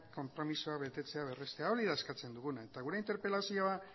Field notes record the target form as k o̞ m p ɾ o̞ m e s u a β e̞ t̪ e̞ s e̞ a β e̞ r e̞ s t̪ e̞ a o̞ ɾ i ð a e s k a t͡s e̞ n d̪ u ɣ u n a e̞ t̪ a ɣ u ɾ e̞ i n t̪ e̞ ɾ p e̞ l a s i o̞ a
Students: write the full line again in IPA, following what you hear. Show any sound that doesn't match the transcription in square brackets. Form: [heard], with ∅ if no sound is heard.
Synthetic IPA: k o̞ m p ɾ o̞ m [i] s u a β e̞ t̪ e̞ [t͡s] e̞ a β e̞ r e̞ s t̪ e̞ a o̞ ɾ i ð a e s k a t͡s e̞ n d̪ u ɣ u n a e̞ t̪ a ɣ u ɾ e̞ i n t̪ e̞ ɾ p e̞ l a s i o̞ a